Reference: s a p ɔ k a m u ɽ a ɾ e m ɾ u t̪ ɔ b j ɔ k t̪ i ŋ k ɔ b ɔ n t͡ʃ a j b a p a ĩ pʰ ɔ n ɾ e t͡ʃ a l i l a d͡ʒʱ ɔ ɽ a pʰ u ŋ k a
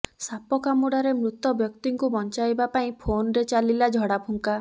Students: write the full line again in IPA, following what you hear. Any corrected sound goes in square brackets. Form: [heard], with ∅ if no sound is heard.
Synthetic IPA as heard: s a p ɔ k a m u ɽ a ɾ e m ɾ u t̪ ɔ b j ɔ k t̪ i ŋ k [u] b ɔ n t͡ʃ a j b a p a ĩ pʰ [o] n ɾ e t͡ʃ a l i l a d͡ʒʱ ɔ ɽ a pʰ u ŋ k a